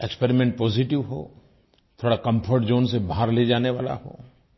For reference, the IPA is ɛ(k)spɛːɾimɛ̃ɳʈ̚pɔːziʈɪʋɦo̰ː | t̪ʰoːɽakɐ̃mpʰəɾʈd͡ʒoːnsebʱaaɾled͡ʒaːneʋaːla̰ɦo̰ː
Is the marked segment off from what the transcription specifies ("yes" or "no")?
no